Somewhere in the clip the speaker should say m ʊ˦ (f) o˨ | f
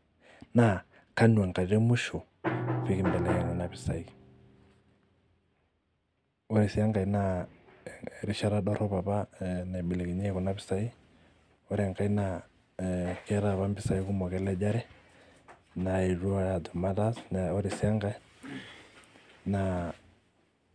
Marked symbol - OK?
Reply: no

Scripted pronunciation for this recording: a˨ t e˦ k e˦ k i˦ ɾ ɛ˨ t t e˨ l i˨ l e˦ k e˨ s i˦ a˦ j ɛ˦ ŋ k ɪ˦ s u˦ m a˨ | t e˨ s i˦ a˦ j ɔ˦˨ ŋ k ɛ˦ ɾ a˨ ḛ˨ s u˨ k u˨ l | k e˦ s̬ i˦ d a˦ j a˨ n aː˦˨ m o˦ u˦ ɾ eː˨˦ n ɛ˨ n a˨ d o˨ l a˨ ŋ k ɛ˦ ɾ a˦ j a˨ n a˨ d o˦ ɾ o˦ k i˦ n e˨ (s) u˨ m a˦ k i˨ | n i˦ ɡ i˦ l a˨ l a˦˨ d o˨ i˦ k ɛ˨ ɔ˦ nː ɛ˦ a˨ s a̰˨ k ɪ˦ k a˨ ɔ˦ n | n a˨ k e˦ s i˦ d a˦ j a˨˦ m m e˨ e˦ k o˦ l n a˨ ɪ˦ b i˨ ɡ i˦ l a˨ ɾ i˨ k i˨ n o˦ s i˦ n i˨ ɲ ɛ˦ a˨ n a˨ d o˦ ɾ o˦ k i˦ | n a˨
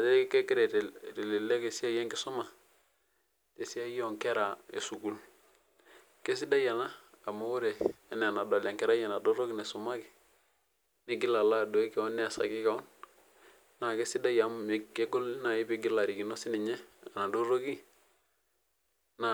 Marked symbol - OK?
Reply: yes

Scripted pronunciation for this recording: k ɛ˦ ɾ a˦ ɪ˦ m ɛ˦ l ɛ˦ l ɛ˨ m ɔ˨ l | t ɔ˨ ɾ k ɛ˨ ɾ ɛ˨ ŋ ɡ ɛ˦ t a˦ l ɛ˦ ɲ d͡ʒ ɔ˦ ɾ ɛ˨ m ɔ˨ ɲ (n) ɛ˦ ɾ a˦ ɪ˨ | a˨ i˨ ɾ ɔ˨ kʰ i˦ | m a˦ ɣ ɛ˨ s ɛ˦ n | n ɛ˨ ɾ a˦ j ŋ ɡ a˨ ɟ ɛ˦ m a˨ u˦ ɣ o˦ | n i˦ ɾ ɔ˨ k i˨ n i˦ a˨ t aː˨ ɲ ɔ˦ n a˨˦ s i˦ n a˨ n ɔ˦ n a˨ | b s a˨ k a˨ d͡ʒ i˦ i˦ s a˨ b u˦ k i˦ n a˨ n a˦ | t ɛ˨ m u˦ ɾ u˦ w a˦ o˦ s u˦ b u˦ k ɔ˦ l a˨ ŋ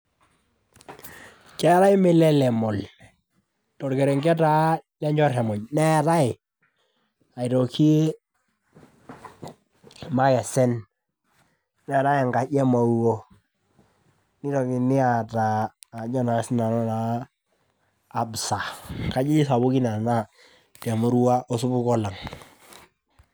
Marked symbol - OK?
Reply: yes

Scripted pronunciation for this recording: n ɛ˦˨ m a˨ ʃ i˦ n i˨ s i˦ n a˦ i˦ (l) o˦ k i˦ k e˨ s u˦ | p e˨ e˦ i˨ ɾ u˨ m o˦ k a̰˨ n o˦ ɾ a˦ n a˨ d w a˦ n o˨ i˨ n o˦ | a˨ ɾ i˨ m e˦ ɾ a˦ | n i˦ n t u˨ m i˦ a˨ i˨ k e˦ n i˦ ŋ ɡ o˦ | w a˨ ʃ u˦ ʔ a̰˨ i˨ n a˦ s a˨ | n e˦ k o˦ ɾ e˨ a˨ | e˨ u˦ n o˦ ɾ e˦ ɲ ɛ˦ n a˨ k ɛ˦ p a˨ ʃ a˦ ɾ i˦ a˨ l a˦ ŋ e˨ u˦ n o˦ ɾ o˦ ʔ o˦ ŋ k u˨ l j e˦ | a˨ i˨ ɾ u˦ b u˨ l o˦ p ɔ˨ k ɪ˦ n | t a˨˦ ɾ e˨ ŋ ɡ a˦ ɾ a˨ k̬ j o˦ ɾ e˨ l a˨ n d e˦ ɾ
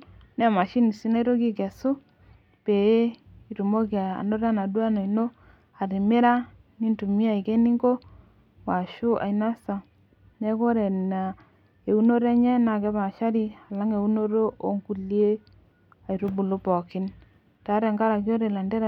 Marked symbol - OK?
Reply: no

